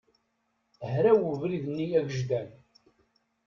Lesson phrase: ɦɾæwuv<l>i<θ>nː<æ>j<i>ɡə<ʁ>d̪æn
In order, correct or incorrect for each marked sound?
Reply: incorrect: ɾ, incorrect: ð, incorrect: i, incorrect: æ, incorrect: ʒ

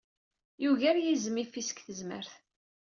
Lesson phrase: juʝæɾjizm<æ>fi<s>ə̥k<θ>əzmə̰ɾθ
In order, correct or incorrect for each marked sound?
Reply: incorrect: i, correct, correct

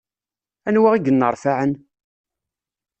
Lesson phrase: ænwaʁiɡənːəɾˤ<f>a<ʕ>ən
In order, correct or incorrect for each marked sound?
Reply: correct, correct

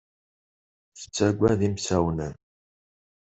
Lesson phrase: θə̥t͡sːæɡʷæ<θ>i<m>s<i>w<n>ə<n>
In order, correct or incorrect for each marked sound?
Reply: incorrect: ð, correct, incorrect: æ, correct, correct

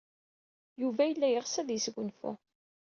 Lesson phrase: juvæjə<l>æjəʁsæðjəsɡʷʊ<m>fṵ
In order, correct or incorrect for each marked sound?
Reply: incorrect: lː, incorrect: n

